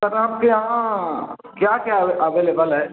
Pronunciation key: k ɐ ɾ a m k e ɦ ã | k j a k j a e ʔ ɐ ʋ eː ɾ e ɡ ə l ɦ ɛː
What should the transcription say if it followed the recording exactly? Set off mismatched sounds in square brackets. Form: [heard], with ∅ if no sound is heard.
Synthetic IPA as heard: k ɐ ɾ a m k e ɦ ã | k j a k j a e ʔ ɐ ʋ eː [l] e [b] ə l ɦ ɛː